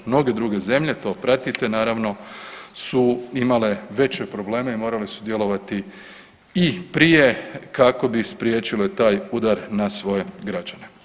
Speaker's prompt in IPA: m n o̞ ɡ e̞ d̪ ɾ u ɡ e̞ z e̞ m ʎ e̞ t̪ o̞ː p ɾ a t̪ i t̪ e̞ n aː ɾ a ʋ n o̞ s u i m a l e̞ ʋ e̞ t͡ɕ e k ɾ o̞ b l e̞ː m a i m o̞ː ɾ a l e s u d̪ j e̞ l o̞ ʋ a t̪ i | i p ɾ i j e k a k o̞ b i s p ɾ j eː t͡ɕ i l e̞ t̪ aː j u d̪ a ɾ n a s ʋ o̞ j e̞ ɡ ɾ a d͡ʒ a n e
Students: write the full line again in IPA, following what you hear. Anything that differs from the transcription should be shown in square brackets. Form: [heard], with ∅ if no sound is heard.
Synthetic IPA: m n o̞ ɡ e̞ d̪ ɾ u ɡ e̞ z e̞ m ʎ e̞ t̪ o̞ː p ɾ a t̪ i t̪ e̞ n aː ɾ a ʋ n o̞ s u i m a l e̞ ʋ e̞ t͡ɕ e [p] ɾ o̞ b l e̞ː m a i m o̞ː ɾ a l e s u d̪ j e̞ l o̞ ʋ a t̪ i | i p ɾ i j e k a k o̞ b i s p ɾ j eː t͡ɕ i l e̞ t̪ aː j u d̪ a ɾ n a s ʋ o̞ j e̞ ɡ ɾ a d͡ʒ a n e